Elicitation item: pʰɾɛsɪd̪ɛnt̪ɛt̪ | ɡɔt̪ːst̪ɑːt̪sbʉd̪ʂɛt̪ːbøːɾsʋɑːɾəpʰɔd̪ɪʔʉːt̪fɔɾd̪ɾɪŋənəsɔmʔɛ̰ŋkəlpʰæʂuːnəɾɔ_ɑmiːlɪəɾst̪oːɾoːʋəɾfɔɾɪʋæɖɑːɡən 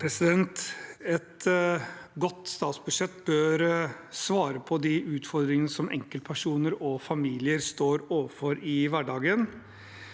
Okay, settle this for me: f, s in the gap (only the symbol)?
f